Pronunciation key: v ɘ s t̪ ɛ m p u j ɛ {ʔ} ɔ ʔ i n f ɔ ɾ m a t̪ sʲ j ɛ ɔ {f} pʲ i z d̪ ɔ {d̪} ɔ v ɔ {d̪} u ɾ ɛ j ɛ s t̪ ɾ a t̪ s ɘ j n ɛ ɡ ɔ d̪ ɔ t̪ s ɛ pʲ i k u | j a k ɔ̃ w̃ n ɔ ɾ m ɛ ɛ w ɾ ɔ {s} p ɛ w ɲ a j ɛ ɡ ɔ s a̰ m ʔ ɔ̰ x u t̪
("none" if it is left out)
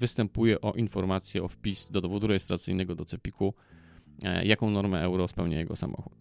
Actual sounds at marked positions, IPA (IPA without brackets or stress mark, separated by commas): ʔ, f, d̪, d̪, s